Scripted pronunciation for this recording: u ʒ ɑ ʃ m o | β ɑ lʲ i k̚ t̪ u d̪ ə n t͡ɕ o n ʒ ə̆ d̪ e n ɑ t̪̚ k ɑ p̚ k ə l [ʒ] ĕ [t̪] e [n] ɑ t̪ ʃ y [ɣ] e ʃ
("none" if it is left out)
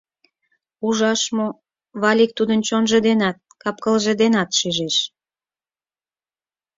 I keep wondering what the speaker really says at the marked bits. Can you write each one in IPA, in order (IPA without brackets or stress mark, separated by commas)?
ʒ, d̪, n, ʒ